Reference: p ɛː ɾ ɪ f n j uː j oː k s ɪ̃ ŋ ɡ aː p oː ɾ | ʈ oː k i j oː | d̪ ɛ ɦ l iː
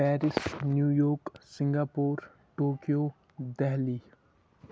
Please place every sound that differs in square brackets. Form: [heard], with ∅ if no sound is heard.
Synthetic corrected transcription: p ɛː ɾ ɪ [s] n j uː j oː k s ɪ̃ ŋ ɡ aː p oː ɾ | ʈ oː k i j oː | d̪ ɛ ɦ l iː